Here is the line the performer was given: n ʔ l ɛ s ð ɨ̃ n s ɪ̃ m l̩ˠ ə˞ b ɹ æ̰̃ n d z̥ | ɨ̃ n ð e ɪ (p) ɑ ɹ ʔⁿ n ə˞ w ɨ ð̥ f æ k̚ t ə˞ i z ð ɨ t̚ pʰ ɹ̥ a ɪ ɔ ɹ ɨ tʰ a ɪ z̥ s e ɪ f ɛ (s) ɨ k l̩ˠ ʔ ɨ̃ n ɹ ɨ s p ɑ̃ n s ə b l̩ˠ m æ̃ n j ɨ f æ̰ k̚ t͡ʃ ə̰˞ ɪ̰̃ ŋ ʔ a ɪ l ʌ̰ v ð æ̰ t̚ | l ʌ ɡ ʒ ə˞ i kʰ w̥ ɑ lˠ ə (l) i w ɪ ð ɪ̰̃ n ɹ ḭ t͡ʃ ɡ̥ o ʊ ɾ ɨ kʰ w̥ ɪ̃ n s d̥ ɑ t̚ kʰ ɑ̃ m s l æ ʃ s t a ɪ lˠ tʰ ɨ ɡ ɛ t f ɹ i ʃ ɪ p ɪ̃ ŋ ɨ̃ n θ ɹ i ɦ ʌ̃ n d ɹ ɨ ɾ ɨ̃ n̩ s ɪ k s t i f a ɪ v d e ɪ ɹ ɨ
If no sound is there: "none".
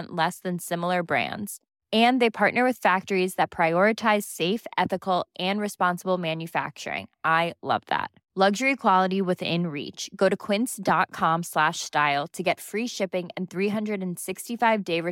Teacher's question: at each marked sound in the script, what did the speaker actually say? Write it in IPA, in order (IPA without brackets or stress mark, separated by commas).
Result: pʰ, θ, ɾ